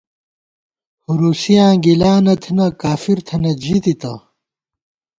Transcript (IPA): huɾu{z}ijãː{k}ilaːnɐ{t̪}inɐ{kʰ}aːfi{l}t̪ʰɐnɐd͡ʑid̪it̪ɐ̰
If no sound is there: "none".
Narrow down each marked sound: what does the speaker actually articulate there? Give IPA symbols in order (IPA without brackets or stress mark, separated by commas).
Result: s, ɡ, t̪ʰ, k, ɾ